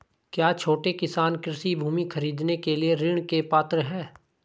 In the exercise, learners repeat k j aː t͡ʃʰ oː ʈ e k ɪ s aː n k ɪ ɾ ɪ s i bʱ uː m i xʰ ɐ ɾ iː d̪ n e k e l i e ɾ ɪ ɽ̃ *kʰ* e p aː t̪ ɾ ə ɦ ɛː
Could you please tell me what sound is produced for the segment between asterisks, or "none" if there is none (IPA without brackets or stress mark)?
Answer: k